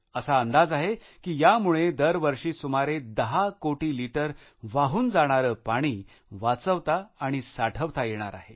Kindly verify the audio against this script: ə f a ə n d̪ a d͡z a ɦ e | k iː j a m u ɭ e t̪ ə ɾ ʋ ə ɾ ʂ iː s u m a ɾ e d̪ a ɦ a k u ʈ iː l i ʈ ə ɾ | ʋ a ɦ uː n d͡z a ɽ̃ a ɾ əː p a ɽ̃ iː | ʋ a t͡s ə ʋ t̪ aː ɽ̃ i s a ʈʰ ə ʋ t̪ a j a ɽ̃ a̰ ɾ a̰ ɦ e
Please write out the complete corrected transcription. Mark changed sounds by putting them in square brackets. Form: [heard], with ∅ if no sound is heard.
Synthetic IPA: ə [s] a ə n d̪ a d͡z a ɦ e | k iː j a m u ɭ e [d̪] ə ɾ ʋ ə ɾ ʂ iː s u m a ɾ e d̪ [ə] ɦ a k [o] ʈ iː l i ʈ ə ɾ | ʋ a ɦ uː n d͡z a ɽ̃ a ɾ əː p a ɽ̃ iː | ʋ a t͡s ə ʋ t̪ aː ɽ̃ i s a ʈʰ ə ʋ t̪ a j [e] ɽ̃ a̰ ɾ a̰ ɦ e

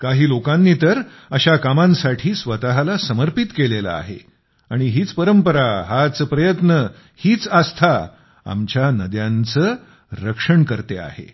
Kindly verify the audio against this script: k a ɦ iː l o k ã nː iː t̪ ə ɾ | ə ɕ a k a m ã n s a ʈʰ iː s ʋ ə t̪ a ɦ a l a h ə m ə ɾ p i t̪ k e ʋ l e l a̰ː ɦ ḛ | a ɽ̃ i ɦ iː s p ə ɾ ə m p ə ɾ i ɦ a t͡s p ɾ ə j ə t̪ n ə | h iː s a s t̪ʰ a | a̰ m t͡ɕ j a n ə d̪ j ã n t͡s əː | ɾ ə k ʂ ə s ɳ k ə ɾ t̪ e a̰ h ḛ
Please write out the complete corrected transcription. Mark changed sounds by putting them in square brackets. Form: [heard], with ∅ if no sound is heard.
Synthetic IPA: k a ɦ iː l o k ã nː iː t̪ ə ɾ | ə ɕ a k a m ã n s a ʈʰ iː s ʋ ə t̪ a ɦ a l a [s] ə m ə ɾ p i t̪ k e [∅] l e l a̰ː ɦ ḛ | a ɽ̃ i ɦ iː [t͡s] p ə ɾ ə m p ə ɾ [a] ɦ a t͡s p ɾ ə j ə t̪ n ə | h iː [t͡s] a s t̪ʰ a | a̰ m t͡ɕ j a n ə d̪ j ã n t͡s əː | ɾ ə k ʂ ə [∅] ɳ k ə ɾ t̪ e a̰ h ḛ

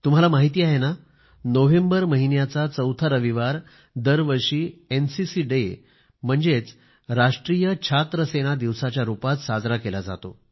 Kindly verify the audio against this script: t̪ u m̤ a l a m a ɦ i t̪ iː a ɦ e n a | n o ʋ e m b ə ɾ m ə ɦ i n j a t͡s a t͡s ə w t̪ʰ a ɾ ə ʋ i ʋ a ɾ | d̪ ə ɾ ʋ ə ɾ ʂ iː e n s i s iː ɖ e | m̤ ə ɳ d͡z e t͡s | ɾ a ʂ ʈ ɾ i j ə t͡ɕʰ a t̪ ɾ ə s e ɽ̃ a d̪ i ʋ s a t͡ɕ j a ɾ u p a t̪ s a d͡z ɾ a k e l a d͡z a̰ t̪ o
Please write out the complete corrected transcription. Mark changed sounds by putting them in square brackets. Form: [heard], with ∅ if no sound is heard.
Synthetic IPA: t̪ u m̤ a l a m a ɦ i t̪ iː a ɦ e n a | n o ʋ e m b ə ɾ m ə ɦ i n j a t͡s a t͡s ə w t̪ʰ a ɾ ə ʋ i ʋ a ɾ | d̪ ə ɾ ʋ ə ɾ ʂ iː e n s i s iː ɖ e | m̤ ə ɳ d͡z e t͡s | ɾ a ʂ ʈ ɾ i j ə t͡ɕʰ a t̪ ɾ ə s e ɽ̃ a d̪ i ʋ s a t͡ɕ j a ɾ u p a t̪ s a d͡z ɾ a k e l a d͡z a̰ t̪ o

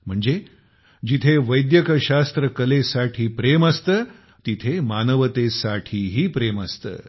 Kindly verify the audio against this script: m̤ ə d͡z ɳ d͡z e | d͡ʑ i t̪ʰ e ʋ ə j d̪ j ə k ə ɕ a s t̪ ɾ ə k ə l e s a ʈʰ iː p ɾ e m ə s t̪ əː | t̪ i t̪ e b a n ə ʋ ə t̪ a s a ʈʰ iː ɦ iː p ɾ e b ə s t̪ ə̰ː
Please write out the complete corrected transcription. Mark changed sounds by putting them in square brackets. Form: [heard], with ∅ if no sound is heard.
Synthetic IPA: m̤ ə [∅] ɳ d͡z e | d͡ʑ i t̪ʰ e ʋ ə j d̪ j ə k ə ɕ a s t̪ ɾ ə k ə l e s a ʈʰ iː p ɾ e m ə s t̪ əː | t̪ i [t̪ʰ] e [m] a n ə ʋ ə t̪ [e] s a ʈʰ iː ɦ iː p ɾ e [m] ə s t̪ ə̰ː

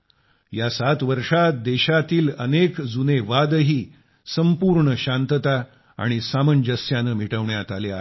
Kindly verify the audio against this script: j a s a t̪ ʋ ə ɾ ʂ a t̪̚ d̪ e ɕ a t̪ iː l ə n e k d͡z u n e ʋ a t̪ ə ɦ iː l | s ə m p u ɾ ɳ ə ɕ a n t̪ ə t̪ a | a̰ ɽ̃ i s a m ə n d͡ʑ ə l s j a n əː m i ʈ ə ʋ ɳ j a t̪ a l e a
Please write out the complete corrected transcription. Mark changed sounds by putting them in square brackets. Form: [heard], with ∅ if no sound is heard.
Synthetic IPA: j a s a t̪ ʋ ə ɾ ʂ a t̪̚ d̪ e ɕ a t̪ iː l ə n e k d͡z u n e ʋ a [d̪] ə ɦ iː [∅] | s ə m p u ɾ ɳ ə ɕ a n t̪ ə t̪ a | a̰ ɽ̃ i s a m ə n d͡ʑ ə [∅] s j a n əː m i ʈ ə ʋ ɳ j a t̪ a l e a

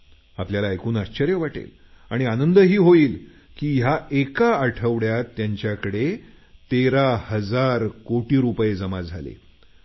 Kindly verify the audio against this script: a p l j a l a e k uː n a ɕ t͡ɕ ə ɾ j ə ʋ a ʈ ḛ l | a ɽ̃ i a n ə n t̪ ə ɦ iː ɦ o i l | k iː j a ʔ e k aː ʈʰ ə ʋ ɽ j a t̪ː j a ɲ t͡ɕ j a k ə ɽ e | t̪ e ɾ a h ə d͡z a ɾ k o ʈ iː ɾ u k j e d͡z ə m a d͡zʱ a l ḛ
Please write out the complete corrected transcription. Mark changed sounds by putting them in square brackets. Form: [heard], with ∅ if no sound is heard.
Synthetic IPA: a p l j a l a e k uː n a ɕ t͡ɕ ə ɾ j ə ʋ a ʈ ḛ l | a ɽ̃ i a n ə n [d̪] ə ɦ iː ɦ o [iː] l | k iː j a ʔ e k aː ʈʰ ə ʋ ɽ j a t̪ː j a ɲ t͡ɕ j a k ə ɽ e | t̪ e ɾ a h ə d͡z a ɾ k o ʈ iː ɾ u [p] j e d͡z ə m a d͡zʱ a l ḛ

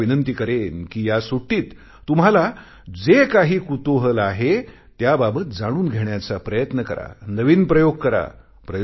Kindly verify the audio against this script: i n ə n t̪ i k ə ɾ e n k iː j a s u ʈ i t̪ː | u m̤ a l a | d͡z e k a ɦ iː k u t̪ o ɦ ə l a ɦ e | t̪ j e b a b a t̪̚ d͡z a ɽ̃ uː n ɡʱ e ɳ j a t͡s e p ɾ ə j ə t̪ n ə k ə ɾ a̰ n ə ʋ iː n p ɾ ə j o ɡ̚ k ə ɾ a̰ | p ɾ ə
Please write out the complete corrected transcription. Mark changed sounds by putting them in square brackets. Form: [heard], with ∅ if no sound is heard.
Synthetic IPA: i n ə n t̪ i k ə ɾ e n k iː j a s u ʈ [iː] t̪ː | u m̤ a l a | d͡z e k a ɦ iː k u t̪ o ɦ ə l a ɦ e | t̪ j [a] b a b [ə] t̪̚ d͡z a ɽ̃ uː n ɡʱ e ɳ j a t͡s [a] p ɾ ə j ə t̪ n ə k ə ɾ a̰ n ə ʋ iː n p ɾ ə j o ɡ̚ k ə ɾ a̰ | p ɾ ə

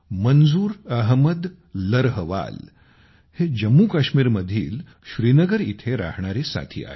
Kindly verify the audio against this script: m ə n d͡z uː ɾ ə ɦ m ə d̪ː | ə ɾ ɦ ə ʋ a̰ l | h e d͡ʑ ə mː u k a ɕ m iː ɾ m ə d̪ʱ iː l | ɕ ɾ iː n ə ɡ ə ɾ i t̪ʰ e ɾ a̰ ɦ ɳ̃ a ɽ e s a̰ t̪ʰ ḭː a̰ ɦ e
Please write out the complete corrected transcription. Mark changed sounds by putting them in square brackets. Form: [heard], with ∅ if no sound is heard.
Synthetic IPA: m ə n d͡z uː ɾ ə ɦ m ə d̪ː | ə ɾ ɦ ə ʋ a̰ l | h e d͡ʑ ə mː u k a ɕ m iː ɾ m ə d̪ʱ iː l | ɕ ɾ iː n ə ɡ ə ɾ i t̪ʰ e ɾ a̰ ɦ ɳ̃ a [ɾ] e s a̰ t̪ʰ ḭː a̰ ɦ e

